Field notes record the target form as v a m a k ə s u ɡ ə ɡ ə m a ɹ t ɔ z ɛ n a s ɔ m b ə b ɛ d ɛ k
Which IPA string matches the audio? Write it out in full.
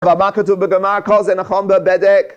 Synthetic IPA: v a m a k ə t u b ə ɡ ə m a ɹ k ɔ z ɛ n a χ ɔ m b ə b ɛ d ɛ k